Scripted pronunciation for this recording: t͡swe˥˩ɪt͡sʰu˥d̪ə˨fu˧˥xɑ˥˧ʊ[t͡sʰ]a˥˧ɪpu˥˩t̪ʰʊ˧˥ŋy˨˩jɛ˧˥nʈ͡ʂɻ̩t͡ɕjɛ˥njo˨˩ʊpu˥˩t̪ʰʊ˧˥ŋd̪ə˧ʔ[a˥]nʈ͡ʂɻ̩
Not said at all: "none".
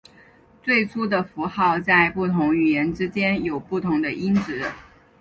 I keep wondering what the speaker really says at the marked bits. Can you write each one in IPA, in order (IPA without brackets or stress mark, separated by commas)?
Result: t͡s, i˥